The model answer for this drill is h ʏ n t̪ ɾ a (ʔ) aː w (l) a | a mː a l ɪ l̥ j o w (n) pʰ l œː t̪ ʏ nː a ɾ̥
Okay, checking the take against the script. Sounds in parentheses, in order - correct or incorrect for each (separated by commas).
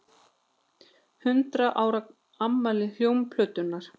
correct, incorrect, incorrect